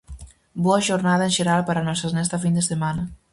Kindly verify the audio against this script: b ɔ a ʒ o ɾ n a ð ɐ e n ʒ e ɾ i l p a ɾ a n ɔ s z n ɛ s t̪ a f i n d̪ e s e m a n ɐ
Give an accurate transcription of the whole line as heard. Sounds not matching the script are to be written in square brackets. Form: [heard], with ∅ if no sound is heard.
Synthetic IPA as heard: b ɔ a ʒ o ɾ n a ð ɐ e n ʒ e ɾ [a] l p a ɾ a n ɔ s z n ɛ s t̪ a f i n d̪ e s e m a n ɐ